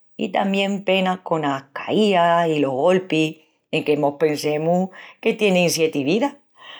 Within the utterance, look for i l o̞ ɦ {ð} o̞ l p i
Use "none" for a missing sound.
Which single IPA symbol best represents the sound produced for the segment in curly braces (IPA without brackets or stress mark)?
ɣ